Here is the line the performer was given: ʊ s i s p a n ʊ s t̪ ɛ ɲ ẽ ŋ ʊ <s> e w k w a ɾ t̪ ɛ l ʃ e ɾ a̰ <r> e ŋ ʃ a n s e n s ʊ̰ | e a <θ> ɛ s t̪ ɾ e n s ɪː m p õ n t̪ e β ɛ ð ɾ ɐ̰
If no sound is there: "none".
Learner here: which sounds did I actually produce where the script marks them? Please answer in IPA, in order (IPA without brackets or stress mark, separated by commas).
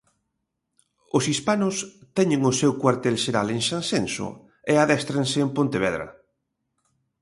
s, l, ð